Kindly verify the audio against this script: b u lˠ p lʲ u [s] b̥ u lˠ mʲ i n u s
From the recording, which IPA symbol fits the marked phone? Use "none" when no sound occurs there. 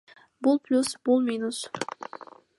s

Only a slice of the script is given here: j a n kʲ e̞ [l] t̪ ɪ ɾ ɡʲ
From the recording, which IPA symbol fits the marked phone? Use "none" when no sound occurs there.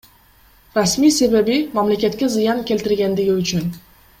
l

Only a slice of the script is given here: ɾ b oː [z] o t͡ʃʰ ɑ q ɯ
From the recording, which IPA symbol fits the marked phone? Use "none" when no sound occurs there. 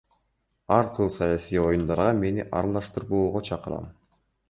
ʁ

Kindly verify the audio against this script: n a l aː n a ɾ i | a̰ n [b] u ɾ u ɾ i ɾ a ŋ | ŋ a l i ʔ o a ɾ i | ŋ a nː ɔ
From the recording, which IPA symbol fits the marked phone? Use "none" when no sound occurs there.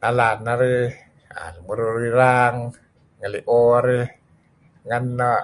m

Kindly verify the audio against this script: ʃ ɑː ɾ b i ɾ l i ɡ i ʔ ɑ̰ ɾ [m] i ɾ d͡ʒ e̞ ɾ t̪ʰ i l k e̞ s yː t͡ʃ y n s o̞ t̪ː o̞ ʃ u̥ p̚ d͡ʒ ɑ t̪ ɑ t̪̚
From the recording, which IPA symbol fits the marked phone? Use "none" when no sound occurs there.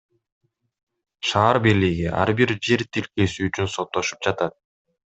b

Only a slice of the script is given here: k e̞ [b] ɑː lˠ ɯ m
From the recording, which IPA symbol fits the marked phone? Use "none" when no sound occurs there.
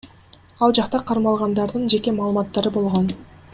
m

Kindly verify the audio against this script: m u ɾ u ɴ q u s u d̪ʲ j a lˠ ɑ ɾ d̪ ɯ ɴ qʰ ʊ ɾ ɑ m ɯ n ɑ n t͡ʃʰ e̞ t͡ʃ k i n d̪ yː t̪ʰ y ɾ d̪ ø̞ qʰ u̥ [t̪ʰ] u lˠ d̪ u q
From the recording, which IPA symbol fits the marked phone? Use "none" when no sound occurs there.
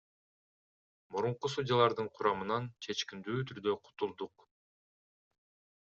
t̪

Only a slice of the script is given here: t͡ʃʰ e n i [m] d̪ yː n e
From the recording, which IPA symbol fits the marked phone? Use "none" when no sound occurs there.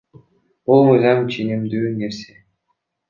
m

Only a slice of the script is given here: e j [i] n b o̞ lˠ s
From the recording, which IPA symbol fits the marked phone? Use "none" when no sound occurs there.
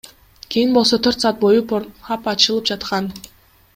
i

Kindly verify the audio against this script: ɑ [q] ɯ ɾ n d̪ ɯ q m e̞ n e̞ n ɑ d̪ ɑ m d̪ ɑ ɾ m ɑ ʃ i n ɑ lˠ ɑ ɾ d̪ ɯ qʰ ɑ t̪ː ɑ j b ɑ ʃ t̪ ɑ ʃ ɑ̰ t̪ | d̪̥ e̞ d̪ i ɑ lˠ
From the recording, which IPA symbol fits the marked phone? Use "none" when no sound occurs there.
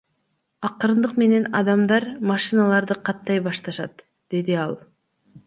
q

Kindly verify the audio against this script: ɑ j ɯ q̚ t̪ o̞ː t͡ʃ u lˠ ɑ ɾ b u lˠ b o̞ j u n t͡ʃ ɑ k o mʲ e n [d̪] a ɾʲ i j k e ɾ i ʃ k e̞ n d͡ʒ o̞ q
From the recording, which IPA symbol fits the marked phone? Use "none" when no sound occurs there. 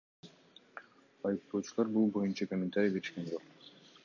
t̪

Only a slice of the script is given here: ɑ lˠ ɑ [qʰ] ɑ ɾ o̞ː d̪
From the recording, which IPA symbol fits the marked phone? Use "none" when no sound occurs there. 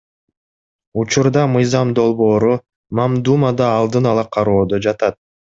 qʰ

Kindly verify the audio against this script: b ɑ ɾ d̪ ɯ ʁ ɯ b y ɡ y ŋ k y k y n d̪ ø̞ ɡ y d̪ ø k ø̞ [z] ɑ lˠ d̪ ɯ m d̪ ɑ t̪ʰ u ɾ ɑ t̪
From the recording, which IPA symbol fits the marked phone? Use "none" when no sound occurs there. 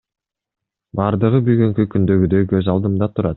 z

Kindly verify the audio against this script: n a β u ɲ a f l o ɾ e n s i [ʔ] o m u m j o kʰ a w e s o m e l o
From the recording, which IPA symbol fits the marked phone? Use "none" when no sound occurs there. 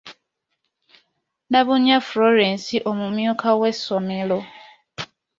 ʔ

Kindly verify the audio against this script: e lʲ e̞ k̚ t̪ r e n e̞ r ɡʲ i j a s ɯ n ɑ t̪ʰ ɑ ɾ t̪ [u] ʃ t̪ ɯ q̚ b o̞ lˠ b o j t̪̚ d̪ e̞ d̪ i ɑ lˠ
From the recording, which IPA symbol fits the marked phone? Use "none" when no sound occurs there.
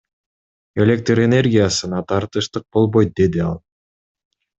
ɯ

